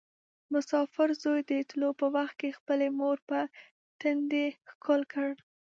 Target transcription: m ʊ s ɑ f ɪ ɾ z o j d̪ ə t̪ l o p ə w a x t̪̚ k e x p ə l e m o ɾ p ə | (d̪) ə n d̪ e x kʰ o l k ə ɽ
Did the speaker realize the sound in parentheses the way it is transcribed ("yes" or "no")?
no